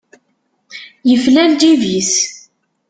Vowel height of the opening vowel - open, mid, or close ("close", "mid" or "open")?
mid